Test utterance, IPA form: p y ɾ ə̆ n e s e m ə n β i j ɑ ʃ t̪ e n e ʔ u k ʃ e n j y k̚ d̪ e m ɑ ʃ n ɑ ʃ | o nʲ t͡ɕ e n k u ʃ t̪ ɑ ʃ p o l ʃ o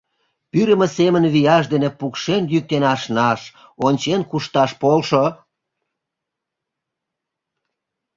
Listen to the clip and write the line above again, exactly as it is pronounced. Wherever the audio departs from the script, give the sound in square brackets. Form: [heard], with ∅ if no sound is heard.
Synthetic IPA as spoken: p y ɾ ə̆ [m] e s e m ə n β i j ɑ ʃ [d̪] e n e [p] u k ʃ e n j y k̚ [t̪] e [n] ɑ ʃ n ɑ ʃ | o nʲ t͡ɕ e n k u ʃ t̪ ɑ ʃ p o l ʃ o

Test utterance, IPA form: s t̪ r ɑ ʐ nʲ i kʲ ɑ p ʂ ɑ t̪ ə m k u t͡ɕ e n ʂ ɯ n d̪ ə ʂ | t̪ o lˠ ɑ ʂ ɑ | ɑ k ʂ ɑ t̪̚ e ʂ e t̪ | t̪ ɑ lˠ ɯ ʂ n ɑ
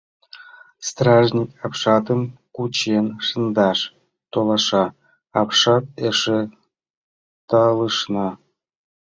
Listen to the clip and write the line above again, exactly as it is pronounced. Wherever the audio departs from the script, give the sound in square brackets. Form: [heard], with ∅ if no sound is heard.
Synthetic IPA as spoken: s t̪ r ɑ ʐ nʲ i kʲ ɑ p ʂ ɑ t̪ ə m k u t͡ɕ e n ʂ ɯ n d̪ [ɑ] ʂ | t̪ o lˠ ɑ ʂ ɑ | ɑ [p] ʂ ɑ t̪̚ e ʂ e [∅] | t̪ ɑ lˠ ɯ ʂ n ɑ

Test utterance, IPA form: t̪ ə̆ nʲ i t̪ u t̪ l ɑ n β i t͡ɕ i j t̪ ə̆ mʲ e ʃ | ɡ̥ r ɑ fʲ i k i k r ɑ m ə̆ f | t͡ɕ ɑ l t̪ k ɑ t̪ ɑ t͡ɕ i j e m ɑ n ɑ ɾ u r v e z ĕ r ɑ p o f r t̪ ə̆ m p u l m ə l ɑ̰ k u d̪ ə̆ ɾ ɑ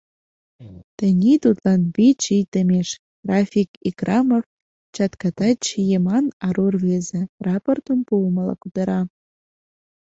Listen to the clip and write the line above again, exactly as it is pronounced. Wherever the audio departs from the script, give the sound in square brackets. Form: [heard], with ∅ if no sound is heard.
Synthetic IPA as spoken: t̪ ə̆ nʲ i t̪ u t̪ l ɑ n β i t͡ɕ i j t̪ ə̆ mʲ e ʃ | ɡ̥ r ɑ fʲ i k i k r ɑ m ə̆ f | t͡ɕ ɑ [∅] t̪ k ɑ t̪ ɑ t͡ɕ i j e m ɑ n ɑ ɾ u r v e z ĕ r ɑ p o [∅] r t̪ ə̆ m p u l m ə l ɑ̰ k u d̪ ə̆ ɾ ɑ

